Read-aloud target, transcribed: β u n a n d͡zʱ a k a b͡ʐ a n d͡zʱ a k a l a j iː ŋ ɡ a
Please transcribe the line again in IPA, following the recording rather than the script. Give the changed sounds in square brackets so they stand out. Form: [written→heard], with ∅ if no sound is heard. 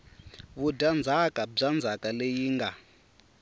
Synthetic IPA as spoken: β u [n→d] a n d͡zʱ a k a b͡ʐ a n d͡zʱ a k a l [a→e] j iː ŋ ɡ a